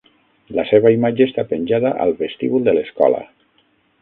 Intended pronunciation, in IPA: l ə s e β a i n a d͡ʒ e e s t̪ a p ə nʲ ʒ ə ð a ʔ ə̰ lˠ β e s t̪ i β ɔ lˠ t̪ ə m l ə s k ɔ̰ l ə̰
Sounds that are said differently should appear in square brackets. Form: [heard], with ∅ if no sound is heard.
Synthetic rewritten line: l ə s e β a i [m] a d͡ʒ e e s t̪ a p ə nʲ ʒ [a] ð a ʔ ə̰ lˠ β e s t̪ i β [u] lˠ [d̪] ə [∅] l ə s k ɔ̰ l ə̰